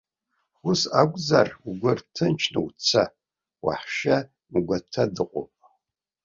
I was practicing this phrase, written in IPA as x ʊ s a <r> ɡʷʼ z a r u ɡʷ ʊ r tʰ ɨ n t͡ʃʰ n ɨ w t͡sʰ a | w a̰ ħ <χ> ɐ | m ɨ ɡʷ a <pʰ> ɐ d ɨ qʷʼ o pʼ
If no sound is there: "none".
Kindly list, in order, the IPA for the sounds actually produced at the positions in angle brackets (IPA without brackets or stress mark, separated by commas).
none, ʃ, tʰ